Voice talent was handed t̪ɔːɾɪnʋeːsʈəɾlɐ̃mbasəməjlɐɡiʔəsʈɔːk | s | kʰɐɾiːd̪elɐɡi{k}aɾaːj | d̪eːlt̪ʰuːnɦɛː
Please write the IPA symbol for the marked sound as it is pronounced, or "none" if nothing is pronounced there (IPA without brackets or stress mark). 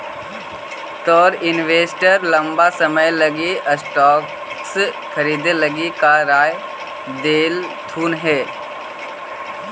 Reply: k